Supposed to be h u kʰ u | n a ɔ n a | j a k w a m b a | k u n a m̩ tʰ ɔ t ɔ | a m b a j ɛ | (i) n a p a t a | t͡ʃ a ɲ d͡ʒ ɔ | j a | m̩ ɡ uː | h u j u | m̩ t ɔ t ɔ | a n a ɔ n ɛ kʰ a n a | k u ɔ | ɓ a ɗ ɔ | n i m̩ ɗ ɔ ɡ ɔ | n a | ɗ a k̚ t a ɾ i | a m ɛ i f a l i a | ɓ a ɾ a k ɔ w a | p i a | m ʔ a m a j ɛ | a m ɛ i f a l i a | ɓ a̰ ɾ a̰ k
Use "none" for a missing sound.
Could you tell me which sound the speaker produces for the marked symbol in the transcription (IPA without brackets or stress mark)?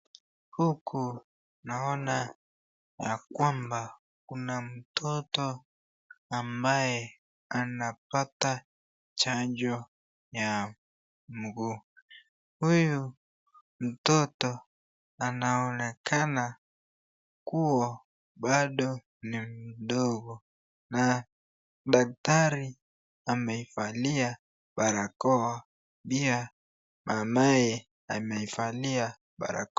a